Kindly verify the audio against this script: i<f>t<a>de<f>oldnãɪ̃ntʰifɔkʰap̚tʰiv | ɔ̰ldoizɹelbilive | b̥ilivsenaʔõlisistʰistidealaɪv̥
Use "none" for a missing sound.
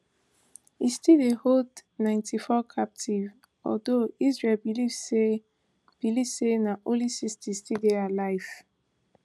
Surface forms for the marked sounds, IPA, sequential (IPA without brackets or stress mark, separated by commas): s, i, h